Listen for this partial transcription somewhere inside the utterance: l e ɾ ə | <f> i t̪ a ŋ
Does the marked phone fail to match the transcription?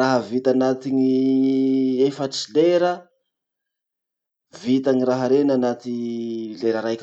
yes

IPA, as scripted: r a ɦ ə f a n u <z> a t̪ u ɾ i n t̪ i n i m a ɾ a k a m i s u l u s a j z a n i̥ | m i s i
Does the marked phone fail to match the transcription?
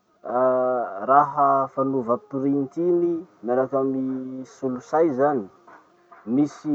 yes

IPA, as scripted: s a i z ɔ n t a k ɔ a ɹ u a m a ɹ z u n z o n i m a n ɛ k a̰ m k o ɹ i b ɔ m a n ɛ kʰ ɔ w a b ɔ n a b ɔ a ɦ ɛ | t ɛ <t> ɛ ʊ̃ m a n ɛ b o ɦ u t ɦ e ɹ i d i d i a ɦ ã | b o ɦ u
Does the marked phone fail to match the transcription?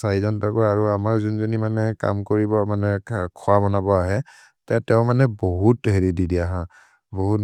no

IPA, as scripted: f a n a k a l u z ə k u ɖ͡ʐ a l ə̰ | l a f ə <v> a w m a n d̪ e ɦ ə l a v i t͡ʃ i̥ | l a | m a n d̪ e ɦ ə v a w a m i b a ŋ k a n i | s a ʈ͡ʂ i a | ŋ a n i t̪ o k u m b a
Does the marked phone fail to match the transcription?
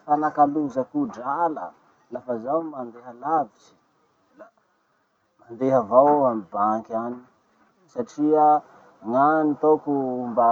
yes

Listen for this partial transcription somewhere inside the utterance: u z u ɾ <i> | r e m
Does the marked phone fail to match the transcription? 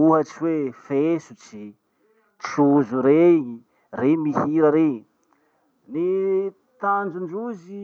yes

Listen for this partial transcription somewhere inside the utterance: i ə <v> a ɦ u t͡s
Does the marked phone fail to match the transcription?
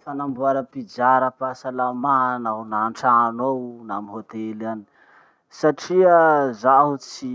yes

